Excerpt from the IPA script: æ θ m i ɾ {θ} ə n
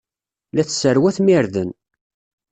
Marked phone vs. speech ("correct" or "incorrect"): incorrect